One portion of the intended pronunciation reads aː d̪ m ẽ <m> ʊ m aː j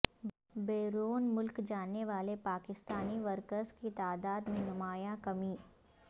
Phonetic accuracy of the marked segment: incorrect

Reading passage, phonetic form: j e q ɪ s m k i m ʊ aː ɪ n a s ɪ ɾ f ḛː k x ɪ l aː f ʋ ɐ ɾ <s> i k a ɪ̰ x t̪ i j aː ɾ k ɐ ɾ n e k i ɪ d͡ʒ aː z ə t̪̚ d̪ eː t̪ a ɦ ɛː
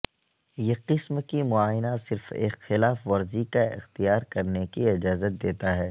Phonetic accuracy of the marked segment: incorrect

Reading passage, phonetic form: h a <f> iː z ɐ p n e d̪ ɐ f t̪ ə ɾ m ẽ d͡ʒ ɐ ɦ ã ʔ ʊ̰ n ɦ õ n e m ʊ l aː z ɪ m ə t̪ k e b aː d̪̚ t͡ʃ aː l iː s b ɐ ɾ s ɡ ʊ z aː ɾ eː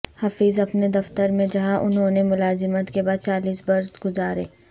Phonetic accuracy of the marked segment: correct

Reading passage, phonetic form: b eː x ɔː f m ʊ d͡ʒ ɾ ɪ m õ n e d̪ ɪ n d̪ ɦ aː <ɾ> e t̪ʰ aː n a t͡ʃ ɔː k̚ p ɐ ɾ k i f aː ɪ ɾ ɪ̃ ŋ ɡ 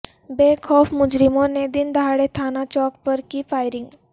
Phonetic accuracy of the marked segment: incorrect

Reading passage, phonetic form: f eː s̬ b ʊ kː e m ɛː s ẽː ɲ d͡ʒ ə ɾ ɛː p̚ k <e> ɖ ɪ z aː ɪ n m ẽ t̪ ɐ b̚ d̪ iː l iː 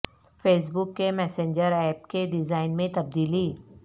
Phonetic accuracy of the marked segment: correct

